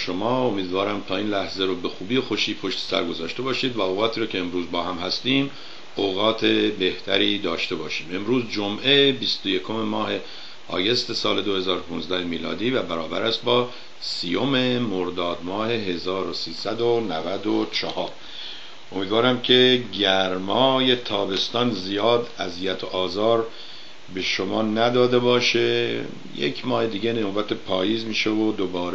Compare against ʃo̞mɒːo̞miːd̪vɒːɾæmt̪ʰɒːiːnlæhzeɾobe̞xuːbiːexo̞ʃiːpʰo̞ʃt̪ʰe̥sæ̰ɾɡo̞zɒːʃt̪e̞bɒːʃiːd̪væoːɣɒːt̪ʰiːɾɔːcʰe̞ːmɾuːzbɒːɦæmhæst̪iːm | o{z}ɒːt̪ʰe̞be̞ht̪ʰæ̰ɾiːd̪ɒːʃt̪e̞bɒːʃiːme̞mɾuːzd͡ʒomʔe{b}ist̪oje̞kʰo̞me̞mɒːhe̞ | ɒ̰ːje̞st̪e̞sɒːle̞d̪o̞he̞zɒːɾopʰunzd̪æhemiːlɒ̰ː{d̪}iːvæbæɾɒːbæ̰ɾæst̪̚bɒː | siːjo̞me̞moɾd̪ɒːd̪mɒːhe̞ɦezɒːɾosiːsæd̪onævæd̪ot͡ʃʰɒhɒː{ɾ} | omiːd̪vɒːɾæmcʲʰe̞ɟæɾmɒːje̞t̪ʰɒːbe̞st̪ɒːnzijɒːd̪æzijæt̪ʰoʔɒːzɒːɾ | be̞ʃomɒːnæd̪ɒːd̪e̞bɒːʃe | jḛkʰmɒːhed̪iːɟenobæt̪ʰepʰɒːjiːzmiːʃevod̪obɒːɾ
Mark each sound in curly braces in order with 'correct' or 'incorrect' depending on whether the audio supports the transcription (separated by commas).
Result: incorrect, correct, correct, correct